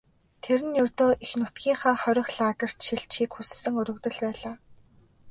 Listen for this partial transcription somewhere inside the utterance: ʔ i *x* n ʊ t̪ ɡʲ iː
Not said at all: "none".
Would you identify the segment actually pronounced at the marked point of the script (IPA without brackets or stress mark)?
x